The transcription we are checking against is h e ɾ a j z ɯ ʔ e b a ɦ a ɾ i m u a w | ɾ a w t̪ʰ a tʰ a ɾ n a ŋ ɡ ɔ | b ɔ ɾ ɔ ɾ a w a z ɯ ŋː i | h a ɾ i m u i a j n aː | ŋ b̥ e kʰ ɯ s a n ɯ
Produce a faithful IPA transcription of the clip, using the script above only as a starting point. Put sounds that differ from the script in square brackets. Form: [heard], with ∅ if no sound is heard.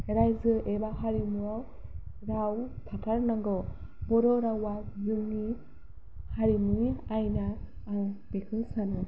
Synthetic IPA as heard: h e ɾ a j z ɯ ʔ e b a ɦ a ɾ i m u a w | ɾ a w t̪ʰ a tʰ a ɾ n a ŋ ɡ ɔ | b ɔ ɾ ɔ ɾ a w a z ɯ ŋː i | h a ɾ i m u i a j n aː | ŋ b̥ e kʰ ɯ s a n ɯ

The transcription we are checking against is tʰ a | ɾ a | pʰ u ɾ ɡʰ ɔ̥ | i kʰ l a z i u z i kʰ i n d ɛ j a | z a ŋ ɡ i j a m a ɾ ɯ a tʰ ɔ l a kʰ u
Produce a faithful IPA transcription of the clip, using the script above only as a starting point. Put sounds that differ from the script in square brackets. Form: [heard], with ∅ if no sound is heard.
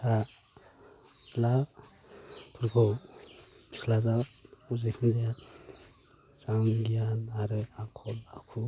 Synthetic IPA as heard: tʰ a | [l] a | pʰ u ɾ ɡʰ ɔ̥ | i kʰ l a z [a] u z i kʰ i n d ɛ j a | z a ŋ ɡ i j a [n] a ɾ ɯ a [kʰ] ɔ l a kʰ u

